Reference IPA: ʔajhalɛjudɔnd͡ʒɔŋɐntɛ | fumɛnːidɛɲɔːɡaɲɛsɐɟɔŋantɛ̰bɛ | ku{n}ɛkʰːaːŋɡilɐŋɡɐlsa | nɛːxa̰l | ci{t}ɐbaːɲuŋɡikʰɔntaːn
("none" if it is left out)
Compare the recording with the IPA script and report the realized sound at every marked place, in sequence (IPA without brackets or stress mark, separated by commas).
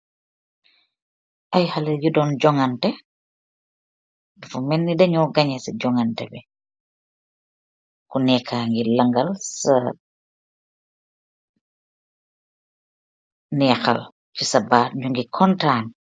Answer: n, s